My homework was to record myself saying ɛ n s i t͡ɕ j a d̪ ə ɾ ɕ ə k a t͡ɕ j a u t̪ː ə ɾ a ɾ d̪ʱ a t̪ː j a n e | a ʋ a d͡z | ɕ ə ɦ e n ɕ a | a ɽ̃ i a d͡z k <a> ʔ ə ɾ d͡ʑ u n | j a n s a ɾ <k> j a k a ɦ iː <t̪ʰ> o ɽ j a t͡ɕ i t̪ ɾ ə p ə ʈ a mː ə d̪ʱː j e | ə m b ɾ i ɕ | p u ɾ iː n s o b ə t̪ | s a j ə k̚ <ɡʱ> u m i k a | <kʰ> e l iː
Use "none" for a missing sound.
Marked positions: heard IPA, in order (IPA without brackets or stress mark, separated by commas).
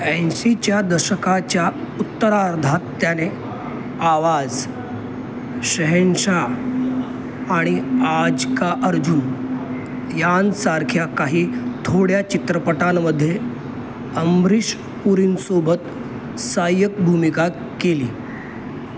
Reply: a, kʰ, t̪ʰ, bʱ, k